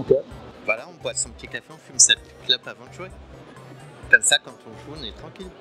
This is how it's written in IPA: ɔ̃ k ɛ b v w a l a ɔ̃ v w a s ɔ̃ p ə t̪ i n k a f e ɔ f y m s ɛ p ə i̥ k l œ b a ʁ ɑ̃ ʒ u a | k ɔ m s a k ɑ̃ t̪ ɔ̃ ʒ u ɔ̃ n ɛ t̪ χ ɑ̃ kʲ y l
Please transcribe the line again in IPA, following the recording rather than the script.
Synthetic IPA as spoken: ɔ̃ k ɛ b v w a l a ɔ̃ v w a s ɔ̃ p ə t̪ i k a f e ɔ̃ f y m s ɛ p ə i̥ k l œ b a v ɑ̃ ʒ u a | k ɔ m s a k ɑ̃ t̪ ɔ̃ ʒ u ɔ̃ n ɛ t̪ χ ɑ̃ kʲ i l